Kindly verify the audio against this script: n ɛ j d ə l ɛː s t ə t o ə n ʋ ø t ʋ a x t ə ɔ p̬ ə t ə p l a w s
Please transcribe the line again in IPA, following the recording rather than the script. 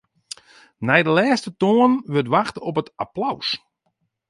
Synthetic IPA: n ɛ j d ə l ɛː s t ə t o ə n ʋ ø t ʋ a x t ə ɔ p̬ ə t a p l a w s